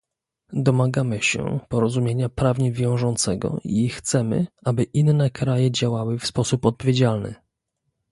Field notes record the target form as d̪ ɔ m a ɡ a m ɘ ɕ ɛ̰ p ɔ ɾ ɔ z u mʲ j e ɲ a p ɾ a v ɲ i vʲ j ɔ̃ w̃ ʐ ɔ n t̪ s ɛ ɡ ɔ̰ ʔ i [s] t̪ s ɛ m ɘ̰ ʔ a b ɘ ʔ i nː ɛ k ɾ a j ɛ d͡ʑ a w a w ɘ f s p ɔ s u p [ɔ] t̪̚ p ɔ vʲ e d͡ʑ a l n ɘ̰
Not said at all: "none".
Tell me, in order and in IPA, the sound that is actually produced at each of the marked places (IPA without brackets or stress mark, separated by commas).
x, ɔ